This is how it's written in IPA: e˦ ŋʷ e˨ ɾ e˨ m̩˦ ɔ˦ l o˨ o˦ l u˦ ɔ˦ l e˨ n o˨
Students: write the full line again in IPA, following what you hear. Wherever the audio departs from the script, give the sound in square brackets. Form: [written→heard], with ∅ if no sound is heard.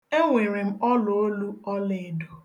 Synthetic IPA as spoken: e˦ ŋʷ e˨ ɾ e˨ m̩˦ ɔ˦ l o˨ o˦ l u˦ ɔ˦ l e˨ [n→d] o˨